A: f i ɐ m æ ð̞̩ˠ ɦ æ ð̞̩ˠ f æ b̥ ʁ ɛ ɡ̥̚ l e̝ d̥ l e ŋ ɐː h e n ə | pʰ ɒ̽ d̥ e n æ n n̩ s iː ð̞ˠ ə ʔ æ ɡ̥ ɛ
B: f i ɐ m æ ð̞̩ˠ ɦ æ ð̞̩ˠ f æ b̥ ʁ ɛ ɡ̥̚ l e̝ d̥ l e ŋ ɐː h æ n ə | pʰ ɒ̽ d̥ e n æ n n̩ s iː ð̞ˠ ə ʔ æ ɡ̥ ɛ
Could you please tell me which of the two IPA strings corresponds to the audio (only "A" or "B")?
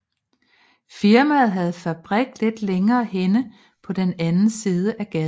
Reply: A